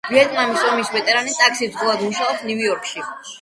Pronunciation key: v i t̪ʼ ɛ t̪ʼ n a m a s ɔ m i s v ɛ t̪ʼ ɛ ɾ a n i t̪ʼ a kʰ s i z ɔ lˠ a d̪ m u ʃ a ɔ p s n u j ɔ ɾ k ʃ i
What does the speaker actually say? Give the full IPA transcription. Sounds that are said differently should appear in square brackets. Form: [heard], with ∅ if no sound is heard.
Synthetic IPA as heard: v i [∅] ɛ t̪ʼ n a m [i] s ɔ m i s v ɛ t̪ʼ ɛ ɾ a n i t̪ʼ a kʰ s i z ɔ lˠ a d̪ m u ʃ a ɔ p s n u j ɔ ɾ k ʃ i